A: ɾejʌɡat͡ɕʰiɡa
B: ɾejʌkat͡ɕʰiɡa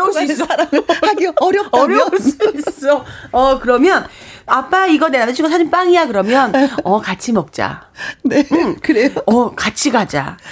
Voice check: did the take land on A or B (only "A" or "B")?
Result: B